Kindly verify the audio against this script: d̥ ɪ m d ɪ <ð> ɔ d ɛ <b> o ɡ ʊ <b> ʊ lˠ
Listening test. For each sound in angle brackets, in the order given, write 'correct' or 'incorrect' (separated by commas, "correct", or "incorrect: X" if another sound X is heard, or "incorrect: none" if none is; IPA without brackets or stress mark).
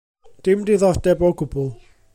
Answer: correct, correct, correct